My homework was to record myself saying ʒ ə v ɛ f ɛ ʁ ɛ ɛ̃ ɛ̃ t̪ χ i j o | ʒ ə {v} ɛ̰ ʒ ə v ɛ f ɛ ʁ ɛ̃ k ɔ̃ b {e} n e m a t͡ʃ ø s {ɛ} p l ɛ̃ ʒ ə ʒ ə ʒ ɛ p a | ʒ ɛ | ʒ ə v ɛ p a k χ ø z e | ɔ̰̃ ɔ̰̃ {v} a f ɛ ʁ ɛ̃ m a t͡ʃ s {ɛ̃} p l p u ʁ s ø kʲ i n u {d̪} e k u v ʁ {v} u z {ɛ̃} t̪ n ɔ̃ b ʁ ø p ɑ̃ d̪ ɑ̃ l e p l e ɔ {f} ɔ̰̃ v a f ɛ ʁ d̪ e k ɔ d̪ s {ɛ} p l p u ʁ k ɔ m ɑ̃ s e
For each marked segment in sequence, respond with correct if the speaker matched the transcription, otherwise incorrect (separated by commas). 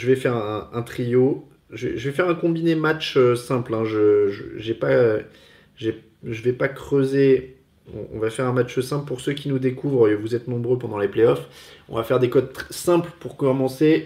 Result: correct, incorrect, incorrect, correct, correct, correct, correct, incorrect, correct, incorrect